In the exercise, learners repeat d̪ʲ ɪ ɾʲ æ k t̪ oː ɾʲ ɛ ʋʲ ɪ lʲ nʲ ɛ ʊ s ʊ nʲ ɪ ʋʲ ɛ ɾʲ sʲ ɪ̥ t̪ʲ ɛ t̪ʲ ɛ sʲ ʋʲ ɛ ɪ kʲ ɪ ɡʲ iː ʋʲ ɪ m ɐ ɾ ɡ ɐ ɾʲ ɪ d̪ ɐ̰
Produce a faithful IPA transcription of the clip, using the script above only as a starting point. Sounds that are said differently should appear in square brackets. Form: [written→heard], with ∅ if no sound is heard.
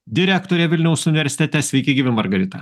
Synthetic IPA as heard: d̪ʲ ɪ ɾʲ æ k t̪ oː ɾʲ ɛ ʋʲ ɪ lʲ nʲ ɛ ʊ s ʊ nʲ ɪ ʋʲ ɛ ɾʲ sʲ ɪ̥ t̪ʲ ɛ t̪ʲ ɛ sʲ ʋʲ ɛ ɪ kʲ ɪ ɡʲ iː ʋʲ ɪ m ɐ ɾ ɡ ɐ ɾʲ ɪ [d̪→t̪] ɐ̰